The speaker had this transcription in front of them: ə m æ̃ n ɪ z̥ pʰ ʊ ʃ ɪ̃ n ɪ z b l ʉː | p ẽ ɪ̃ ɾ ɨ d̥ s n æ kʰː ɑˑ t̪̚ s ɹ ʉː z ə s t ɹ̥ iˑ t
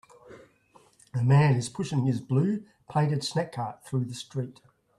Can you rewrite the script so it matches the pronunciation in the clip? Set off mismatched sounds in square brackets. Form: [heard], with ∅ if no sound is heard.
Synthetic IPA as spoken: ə m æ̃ n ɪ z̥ pʰ ʊ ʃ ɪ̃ [ŋ] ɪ z b l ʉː | [pʰ] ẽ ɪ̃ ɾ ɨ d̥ s n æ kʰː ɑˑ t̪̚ [θ] ɹ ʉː [ð] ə s t ɹ̥ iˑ t